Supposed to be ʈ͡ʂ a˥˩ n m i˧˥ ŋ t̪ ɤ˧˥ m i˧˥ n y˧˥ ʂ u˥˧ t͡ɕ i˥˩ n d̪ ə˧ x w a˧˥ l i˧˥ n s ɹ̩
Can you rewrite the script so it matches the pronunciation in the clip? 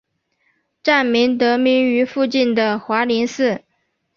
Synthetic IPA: ʈ͡ʂ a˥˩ n m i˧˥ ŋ t̪ ɤ˧˥ m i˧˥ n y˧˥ f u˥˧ t͡ɕ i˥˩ n d̪ ə˩ x w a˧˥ l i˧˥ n s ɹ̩